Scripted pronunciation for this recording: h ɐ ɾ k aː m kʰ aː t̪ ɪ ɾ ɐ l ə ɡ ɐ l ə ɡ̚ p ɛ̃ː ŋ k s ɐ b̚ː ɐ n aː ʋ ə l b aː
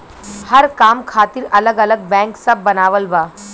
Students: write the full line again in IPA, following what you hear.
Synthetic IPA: h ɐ ɾ k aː m kʰ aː t̪ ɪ ɾ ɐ l ə ɡ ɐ l ə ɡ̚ b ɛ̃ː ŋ k s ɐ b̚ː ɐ n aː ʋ ə l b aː